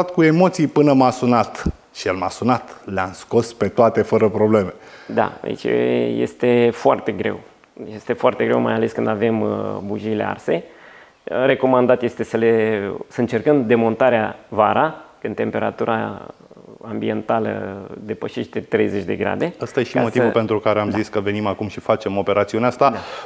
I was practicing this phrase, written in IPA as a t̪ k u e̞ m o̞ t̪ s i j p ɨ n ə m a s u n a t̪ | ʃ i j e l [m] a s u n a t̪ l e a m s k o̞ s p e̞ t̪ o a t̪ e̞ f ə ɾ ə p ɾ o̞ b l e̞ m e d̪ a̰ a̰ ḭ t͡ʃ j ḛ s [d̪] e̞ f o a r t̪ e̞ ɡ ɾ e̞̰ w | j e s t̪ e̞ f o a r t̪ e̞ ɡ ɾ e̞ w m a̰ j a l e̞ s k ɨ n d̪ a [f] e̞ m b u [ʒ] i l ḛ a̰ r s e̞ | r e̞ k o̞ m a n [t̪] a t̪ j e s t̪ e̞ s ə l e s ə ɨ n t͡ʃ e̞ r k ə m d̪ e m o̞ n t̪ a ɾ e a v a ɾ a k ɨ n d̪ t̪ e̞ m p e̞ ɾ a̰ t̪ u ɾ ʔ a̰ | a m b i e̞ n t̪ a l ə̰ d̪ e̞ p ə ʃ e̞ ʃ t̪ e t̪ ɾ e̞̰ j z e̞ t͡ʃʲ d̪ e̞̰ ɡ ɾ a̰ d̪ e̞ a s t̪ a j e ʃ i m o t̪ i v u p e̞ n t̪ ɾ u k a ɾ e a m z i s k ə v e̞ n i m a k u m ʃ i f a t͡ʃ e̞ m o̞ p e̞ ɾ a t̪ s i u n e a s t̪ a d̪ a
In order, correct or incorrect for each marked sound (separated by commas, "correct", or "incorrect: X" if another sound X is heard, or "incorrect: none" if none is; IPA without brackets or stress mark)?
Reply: correct, incorrect: t̪, incorrect: v, correct, incorrect: d̪